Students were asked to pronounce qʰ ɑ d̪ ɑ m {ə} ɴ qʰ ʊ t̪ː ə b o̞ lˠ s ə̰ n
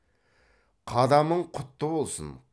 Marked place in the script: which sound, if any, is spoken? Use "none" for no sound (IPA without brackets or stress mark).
ə